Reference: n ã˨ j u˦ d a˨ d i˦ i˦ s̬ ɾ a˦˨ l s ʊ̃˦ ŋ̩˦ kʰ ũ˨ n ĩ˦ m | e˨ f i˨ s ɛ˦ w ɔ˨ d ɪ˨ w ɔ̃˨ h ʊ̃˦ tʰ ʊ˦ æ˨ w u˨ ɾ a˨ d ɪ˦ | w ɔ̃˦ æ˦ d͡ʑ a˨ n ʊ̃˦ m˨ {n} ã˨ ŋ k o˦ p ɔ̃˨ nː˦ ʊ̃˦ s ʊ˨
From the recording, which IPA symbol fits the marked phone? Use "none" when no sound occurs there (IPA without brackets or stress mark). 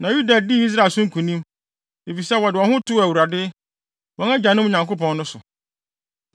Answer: ɲ